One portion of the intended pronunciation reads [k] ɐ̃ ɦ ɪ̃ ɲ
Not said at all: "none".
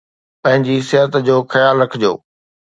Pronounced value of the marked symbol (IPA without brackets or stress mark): p